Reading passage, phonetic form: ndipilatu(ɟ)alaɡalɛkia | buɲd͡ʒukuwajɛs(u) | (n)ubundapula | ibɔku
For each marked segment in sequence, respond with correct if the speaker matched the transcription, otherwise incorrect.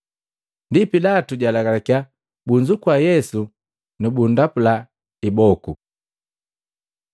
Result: correct, correct, correct

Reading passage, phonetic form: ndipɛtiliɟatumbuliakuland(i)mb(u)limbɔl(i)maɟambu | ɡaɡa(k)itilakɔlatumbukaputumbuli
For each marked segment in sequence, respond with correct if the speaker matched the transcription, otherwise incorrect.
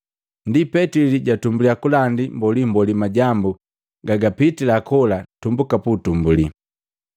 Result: correct, incorrect, correct, incorrect

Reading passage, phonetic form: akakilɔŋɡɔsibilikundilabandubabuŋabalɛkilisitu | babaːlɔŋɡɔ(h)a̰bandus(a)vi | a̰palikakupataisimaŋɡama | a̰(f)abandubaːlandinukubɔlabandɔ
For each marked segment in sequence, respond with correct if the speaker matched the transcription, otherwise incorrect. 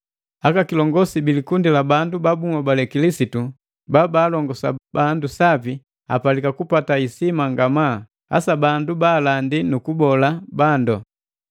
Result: incorrect, correct, incorrect

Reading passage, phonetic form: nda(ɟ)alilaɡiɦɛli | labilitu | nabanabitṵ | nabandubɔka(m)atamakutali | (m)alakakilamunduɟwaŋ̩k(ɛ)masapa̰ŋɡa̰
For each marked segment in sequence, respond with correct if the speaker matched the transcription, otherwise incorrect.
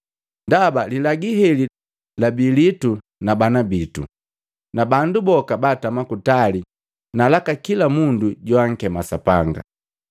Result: incorrect, incorrect, incorrect, correct

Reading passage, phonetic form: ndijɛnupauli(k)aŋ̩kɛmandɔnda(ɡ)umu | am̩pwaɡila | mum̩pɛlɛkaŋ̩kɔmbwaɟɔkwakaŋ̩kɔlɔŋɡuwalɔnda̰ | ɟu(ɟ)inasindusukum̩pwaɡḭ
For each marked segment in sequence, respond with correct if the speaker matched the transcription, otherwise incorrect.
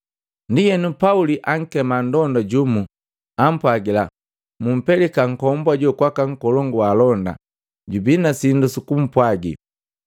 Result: incorrect, incorrect, incorrect

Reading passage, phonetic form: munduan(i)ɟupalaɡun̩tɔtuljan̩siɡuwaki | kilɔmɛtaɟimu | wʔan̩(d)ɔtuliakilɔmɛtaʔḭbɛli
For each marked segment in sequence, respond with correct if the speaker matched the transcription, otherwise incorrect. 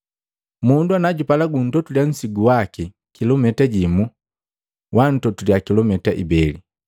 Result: incorrect, incorrect

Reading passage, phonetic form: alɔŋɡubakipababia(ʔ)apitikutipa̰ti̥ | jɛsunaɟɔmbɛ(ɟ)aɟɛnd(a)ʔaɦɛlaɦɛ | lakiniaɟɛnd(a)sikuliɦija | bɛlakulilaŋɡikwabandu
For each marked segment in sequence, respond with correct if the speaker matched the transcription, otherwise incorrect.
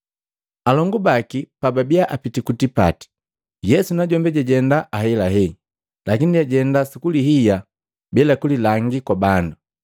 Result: correct, correct, correct, correct

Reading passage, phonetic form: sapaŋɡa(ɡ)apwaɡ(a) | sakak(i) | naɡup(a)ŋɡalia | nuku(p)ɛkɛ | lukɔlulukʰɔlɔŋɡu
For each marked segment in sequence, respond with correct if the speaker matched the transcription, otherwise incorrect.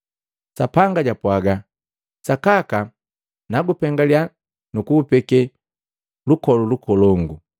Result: incorrect, correct, incorrect, incorrect, correct

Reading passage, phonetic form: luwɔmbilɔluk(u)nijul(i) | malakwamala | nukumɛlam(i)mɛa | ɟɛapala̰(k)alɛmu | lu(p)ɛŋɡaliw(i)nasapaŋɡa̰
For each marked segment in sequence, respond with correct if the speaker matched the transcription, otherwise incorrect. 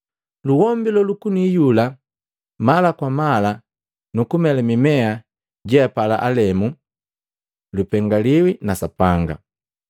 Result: correct, incorrect, correct, incorrect, correct, correct

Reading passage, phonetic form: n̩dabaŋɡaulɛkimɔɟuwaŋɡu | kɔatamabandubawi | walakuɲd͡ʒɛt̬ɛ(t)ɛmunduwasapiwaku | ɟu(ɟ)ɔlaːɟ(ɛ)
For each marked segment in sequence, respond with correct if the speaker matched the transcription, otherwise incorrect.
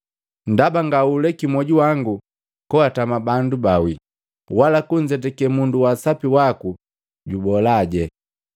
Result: incorrect, incorrect, correct

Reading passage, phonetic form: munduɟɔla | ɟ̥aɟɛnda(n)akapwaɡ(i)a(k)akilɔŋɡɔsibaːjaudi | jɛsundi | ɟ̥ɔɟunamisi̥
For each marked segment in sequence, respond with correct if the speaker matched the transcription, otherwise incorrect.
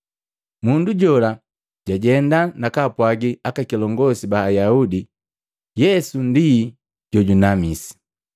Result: correct, correct, correct

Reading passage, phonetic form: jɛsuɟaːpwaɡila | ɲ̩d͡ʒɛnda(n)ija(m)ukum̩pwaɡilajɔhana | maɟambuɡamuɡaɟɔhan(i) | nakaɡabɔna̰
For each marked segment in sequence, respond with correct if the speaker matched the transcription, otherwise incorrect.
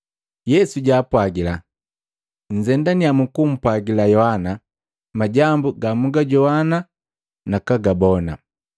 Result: correct, correct, incorrect

